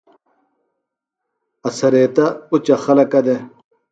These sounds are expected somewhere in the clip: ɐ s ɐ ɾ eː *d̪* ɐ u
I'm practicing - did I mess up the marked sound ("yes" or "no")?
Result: yes